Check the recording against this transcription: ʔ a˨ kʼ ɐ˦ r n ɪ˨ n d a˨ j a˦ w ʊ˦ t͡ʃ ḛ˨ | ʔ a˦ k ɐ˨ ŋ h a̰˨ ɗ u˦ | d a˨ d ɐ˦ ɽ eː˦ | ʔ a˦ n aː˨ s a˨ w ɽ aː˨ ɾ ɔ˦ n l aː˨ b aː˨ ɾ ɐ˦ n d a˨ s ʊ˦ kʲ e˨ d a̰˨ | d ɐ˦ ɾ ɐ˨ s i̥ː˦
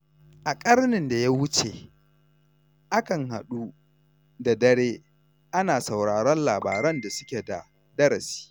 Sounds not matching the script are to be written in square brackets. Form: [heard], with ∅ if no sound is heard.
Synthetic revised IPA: ʔ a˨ kʼ ɐ˦ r n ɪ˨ n d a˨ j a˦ w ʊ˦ t͡ʃ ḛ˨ | ʔ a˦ k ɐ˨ ŋ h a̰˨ ɗ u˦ | d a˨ d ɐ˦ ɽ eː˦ | ʔ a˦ n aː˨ s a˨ w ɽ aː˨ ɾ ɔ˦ n l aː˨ b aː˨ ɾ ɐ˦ n d a˨ s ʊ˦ kʲ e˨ d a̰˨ | d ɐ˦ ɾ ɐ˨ s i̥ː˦

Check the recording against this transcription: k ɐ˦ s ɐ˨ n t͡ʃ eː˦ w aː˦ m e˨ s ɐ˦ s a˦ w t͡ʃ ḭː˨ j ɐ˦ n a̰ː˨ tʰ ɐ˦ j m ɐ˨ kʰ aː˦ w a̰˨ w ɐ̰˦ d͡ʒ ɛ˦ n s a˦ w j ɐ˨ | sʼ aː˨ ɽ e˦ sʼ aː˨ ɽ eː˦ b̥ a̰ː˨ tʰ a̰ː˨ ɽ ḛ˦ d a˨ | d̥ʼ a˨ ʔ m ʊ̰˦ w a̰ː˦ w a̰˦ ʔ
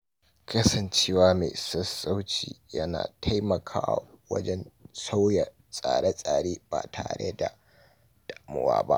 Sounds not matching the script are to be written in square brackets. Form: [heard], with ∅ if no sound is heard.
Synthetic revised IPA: k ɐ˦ s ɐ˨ n t͡ʃ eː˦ w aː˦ m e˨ s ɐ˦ s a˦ w t͡ʃ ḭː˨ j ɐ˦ n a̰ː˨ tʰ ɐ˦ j m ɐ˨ kʰ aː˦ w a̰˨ w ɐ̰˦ d͡ʒ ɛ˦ n s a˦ w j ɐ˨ | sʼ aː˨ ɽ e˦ sʼ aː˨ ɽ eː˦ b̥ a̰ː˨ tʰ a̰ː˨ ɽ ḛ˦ d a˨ | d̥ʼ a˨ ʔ m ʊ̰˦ w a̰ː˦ [b] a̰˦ ʔ

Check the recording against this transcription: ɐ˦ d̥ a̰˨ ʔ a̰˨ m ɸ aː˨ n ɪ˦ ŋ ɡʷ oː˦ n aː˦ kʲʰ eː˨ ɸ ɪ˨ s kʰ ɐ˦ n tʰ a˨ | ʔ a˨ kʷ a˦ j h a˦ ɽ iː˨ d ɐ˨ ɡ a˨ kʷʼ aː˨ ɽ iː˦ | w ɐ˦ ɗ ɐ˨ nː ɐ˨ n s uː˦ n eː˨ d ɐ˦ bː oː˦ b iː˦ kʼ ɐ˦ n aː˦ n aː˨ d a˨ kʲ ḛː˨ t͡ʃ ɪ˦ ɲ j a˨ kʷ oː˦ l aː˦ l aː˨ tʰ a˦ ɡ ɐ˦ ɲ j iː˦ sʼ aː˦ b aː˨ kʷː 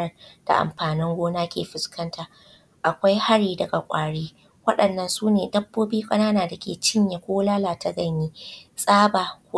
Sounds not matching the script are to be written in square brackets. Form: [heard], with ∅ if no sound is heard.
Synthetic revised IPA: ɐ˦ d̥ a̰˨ ʔ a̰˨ m ɸ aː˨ n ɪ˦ ŋ ɡʷ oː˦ n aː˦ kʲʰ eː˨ ɸ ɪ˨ s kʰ ɐ˦ n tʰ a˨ | ʔ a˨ kʷ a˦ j h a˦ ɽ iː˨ d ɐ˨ ɡ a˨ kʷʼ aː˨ ɽ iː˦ | w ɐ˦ ɗ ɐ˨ nː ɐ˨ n s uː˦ n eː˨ d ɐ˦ bː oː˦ b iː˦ kʼ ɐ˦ n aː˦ n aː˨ d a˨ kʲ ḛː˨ t͡ʃ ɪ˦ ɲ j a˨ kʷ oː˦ l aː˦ l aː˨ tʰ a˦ ɡ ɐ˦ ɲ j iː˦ sʼ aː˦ b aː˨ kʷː

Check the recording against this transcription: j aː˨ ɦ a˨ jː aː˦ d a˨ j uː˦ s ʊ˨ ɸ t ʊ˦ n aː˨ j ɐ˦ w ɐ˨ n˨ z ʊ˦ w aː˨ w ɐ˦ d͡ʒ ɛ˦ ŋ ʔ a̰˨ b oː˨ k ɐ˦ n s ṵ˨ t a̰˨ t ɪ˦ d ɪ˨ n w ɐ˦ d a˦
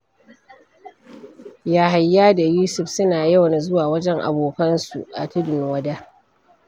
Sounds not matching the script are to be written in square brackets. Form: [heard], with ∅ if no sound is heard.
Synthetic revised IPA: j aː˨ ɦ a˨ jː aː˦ d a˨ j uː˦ s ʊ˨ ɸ [s] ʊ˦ n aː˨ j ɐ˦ w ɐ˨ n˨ z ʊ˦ w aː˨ w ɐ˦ d͡ʒ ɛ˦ ŋ ʔ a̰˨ b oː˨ k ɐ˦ n s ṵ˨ [ʔ] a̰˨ t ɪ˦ d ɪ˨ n w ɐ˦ d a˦

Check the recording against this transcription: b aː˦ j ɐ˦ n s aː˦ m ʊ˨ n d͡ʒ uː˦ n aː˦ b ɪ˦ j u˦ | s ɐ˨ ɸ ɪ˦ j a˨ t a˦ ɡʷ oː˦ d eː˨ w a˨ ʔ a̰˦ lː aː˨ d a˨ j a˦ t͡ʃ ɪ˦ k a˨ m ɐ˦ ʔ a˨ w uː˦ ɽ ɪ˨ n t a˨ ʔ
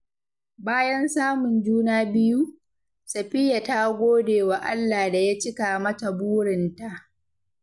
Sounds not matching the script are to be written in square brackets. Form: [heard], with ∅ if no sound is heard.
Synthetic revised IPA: b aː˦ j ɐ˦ n s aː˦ m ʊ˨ n d͡ʒ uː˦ n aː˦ b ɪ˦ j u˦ | s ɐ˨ ɸ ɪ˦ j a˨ t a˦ ɡʷ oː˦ d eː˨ w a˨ ʔ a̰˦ lː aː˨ d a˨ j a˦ t͡ʃ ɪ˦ k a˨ m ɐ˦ [t] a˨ [b] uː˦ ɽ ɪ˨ n t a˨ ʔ

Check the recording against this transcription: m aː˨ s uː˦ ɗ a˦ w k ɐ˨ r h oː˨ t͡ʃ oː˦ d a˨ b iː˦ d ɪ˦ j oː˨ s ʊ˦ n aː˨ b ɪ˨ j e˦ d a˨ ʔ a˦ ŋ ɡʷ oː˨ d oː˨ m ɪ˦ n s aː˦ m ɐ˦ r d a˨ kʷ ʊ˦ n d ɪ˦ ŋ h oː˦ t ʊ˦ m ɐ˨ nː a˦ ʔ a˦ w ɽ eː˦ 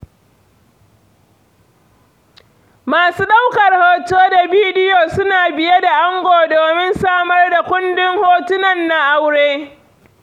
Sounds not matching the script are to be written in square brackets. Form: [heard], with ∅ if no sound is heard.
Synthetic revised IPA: m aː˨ s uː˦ ɗ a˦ w k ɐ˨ r h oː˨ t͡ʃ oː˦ d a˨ b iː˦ d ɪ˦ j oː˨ s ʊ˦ n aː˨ b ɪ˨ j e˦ d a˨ ʔ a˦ ŋ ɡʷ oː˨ d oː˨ m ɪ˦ n s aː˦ m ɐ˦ r d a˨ kʷ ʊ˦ n d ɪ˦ ŋ h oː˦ t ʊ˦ [n] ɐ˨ nː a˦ ʔ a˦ w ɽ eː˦

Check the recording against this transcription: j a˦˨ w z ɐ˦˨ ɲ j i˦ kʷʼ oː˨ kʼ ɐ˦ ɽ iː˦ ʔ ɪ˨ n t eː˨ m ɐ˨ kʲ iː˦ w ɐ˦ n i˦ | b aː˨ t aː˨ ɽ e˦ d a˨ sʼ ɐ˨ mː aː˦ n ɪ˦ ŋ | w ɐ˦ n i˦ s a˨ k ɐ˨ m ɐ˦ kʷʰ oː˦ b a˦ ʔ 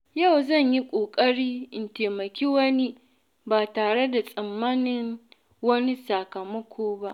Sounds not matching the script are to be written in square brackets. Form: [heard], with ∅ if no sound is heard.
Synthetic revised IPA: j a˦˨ w z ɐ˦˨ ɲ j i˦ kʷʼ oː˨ kʼ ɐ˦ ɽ iː˦ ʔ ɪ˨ n t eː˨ m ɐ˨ kʲ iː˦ w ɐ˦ n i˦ | b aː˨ t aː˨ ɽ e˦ d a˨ sʼ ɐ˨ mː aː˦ n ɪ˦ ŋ | w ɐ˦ n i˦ s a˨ k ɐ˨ m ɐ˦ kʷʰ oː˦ b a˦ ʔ

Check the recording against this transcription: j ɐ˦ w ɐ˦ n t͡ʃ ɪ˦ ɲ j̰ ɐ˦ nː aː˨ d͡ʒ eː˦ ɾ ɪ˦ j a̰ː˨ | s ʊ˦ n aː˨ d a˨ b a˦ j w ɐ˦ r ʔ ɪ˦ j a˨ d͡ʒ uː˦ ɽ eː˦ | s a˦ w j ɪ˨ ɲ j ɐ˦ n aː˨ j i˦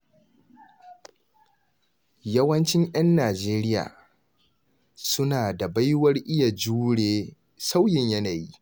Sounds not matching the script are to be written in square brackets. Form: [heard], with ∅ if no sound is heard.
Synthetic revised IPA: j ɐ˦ w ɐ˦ n t͡ʃ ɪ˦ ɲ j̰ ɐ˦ nː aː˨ d͡ʒ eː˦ ɾ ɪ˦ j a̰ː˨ | s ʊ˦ n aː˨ d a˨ b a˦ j w ɐ˦ r ʔ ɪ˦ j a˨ d͡ʒ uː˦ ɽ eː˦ | s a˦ w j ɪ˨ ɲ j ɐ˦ n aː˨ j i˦

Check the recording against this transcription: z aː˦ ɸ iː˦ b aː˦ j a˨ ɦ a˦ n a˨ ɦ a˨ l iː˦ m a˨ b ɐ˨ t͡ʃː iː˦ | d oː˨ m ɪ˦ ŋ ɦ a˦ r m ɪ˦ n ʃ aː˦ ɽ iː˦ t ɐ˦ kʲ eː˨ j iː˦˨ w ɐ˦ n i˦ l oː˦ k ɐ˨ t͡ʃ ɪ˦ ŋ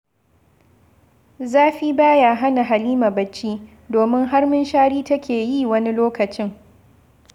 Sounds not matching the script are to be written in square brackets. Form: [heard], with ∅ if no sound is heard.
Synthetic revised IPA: z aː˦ ɸ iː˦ b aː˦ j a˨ ɦ a˦ n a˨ ɦ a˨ l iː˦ m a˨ b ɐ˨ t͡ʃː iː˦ | d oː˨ m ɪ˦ ŋ ɦ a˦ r m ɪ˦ n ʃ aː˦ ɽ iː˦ t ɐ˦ kʲ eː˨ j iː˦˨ w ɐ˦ n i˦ l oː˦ k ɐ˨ t͡ʃ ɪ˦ ŋ

